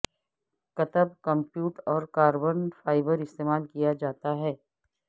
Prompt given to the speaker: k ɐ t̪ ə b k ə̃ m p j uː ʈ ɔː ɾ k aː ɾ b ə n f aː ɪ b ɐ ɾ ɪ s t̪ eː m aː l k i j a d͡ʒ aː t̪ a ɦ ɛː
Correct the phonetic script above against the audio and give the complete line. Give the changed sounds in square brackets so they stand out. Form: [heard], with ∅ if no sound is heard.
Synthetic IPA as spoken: k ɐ t̪ ə b k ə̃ m p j uː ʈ ɔː ɾ k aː ɾ b ə n f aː ɪ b [ə] ɾ ɪ s t̪ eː m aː l k i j a d͡ʒ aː t̪ a ɦ ɛː